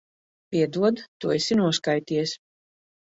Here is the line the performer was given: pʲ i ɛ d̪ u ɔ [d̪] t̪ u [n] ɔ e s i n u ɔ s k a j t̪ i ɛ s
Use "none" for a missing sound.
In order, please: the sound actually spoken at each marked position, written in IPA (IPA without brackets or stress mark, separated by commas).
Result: d̪, none